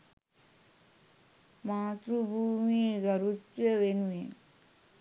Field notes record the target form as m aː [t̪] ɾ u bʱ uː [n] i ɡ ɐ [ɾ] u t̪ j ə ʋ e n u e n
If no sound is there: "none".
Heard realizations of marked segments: t̪, m, ɾ

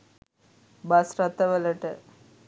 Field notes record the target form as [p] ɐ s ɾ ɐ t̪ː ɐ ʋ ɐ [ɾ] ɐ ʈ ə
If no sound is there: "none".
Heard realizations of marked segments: b, l

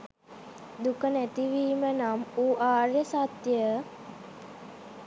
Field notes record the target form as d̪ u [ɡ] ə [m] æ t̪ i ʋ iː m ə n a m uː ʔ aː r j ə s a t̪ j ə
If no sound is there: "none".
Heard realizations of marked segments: k, n

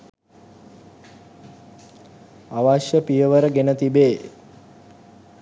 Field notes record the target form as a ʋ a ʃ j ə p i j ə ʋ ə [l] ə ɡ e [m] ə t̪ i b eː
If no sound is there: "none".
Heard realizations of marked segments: ɾ, n

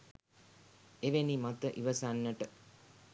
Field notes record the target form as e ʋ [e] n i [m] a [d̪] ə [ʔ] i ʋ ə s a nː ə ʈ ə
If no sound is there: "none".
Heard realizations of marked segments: e, m, t̪, ʔ

